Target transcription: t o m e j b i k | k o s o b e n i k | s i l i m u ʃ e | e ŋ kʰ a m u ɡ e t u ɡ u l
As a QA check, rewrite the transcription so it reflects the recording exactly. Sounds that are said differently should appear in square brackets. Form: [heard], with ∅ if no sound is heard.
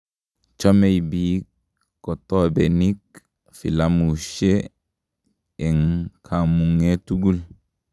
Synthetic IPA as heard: [t͡ʃ] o m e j b i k | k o [t] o b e n i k | [f] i l [a] m u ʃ e | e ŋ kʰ a m u [ŋ] e t u ɡ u l